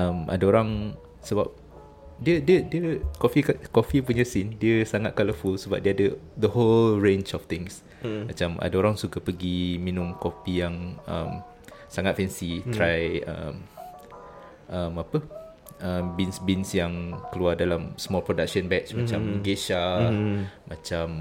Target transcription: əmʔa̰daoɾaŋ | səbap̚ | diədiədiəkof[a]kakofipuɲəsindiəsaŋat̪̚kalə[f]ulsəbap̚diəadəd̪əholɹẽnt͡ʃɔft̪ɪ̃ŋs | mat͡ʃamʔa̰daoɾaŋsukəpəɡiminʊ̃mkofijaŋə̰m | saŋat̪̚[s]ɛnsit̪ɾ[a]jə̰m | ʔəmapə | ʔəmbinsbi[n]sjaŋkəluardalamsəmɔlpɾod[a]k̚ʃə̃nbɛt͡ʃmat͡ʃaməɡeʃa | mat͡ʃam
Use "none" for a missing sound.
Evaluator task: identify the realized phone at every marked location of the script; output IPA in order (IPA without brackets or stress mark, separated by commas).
i, f, f, a, n, a